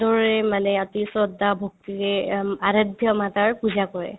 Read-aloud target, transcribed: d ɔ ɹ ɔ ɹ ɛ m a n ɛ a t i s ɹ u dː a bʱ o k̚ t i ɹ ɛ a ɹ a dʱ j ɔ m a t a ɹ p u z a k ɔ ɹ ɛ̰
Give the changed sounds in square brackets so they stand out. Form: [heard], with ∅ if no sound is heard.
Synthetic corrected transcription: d ɔ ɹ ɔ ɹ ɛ m a n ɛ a t i s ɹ [ɔ] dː a bʱ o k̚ t i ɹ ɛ a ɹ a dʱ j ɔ m a t a ɹ p u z a k ɔ ɹ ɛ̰

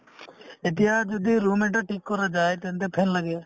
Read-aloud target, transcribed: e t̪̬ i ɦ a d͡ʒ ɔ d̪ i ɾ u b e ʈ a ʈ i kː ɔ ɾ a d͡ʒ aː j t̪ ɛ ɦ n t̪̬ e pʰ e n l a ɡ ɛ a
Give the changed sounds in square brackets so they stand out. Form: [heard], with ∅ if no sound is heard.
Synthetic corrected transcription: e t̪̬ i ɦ a d͡ʒ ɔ d̪ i ɾ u [m] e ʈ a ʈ i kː ɔ ɾ a d͡ʒ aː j t̪ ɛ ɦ n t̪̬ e pʰ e n l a ɡ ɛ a

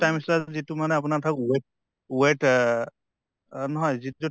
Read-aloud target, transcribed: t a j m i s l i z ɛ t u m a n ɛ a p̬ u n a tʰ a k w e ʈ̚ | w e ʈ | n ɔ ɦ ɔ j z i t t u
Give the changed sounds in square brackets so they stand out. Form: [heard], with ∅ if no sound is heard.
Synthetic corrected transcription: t a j m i s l [a] z [i] t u m a n ɛ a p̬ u n a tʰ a k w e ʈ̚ | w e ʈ | n ɔ ɦ ɔ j z i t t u

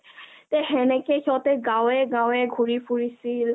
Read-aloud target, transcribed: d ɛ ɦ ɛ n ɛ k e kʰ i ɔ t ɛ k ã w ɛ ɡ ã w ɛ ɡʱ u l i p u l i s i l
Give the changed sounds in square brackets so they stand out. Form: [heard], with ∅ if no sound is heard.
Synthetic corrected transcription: [t] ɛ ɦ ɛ n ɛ k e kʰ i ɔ t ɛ [ɡ] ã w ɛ ɡ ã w ɛ ɡʱ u [ɹ] i p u [ɹ] i s i l

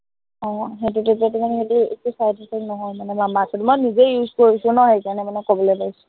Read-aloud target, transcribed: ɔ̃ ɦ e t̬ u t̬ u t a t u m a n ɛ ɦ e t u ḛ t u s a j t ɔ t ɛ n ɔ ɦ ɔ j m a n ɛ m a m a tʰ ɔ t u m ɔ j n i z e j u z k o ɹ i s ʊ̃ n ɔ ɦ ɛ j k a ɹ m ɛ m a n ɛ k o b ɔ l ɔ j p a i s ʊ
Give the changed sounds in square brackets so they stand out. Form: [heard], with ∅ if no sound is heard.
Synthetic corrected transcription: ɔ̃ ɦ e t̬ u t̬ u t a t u m a n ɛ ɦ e t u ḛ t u s a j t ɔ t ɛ n ɔ ɦ ɔ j m a n ɛ m a m a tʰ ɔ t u m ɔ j n i z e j u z k o ɹ i s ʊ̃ n ɔ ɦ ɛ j k a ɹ [n] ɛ m a n ɛ k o b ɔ l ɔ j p a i s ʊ

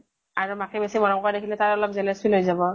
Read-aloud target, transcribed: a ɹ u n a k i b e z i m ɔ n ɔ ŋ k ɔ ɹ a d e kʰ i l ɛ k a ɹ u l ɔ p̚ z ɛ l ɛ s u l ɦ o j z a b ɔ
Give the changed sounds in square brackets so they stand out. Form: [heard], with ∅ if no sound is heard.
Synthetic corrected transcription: a ɹ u [m] a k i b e [s] i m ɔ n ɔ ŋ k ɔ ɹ a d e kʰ i l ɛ [t] a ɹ [ɔ] l ɔ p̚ z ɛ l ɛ s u l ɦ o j z a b ɔ

